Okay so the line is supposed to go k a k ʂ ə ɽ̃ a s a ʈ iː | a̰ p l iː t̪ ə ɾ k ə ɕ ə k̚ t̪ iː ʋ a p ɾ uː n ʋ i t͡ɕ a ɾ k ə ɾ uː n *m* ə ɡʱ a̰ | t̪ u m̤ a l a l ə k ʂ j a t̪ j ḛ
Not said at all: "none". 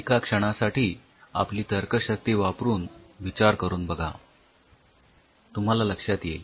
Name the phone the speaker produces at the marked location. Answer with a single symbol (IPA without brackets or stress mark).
b